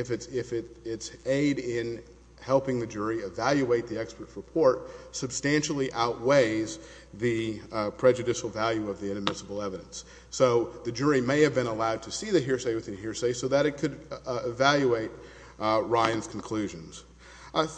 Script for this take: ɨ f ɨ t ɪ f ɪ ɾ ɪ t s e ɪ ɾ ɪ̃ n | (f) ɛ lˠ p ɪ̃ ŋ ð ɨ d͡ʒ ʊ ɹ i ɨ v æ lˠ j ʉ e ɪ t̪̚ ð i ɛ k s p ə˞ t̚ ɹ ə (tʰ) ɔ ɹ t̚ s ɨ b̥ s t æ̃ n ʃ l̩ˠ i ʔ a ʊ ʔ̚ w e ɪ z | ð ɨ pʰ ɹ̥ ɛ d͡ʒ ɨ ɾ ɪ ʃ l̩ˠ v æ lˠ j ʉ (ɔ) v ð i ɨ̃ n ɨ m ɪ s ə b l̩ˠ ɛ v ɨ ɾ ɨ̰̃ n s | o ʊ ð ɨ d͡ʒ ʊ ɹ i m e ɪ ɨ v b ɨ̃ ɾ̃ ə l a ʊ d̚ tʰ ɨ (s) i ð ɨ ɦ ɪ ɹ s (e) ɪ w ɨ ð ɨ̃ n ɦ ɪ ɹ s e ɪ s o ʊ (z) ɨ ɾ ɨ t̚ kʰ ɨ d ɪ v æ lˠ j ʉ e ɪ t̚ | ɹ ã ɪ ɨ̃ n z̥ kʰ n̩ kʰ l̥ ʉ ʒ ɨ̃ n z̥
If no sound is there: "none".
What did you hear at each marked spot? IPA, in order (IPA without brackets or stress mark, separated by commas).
h, pʰ, ʌ, s, e, ð